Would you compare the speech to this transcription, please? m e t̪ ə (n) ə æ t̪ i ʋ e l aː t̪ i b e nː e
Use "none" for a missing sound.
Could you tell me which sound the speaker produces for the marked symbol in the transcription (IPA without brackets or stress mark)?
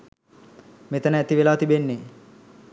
n